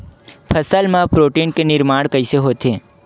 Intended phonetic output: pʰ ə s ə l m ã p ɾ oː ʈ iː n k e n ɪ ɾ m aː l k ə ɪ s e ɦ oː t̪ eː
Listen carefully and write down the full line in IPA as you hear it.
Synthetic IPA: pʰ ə s ə l m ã p ɾ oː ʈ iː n k e n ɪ ɾ m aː ɽ k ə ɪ s e ɦ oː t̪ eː